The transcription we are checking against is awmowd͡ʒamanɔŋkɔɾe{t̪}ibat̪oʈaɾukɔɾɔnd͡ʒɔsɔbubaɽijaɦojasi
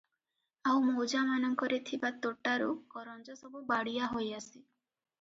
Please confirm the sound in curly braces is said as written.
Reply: no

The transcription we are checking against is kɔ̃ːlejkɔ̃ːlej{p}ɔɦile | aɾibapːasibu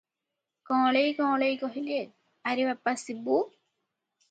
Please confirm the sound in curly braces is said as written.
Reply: no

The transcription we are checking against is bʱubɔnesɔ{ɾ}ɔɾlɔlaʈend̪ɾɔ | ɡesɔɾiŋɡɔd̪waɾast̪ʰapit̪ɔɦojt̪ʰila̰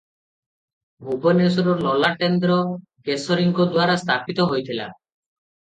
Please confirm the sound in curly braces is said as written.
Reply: yes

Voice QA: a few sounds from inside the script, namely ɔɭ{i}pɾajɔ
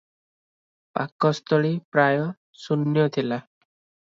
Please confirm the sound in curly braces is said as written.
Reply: yes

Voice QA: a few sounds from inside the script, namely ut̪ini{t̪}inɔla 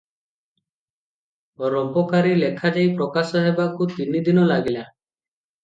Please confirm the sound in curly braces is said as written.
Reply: no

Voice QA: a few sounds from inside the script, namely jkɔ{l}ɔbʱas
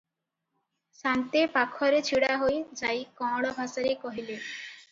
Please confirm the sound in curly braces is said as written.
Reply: no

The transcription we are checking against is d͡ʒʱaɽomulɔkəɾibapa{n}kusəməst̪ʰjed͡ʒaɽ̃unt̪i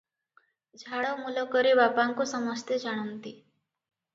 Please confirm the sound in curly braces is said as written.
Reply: no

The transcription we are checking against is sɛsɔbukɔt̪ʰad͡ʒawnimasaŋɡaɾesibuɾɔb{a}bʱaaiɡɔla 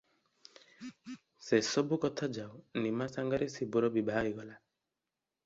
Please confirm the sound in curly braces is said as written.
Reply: no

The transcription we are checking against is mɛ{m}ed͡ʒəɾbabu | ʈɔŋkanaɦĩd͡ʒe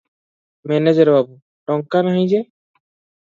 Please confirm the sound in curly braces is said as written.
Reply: no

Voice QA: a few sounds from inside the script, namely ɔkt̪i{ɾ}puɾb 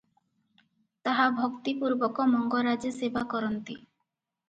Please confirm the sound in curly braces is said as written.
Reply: no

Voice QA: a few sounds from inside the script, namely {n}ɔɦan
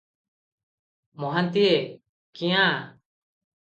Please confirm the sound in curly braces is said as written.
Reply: no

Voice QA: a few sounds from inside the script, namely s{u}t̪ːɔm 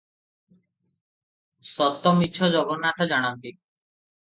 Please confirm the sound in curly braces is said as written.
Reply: no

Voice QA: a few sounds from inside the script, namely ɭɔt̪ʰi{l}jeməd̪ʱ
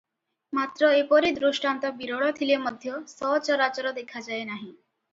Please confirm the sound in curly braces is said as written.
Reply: yes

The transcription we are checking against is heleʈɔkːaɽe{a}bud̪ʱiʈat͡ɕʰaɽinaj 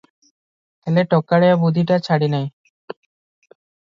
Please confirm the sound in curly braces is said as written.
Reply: yes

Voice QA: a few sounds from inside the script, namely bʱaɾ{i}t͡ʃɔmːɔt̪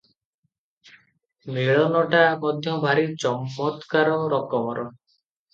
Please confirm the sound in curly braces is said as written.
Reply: yes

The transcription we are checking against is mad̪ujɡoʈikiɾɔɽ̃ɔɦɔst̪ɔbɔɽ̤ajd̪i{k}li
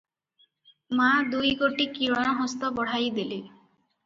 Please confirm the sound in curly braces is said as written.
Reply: no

